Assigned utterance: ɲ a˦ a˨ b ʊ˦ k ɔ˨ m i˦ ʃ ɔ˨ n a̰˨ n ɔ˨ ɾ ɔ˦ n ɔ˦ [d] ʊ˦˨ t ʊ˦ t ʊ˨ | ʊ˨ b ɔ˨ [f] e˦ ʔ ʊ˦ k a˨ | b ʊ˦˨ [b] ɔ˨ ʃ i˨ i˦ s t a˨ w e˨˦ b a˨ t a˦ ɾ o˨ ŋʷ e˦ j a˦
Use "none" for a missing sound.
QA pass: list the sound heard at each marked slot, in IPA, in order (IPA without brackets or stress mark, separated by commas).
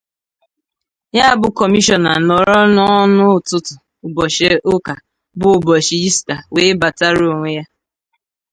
n, ʃ, b